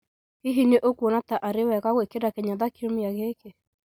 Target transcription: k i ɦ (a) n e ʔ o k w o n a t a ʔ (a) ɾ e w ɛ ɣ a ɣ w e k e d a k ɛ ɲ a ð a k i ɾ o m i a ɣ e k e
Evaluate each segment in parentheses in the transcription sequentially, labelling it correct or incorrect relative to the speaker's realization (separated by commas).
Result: incorrect, correct